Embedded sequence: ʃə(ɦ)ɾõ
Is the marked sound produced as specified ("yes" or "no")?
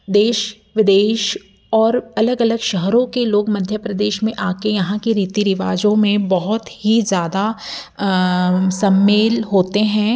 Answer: yes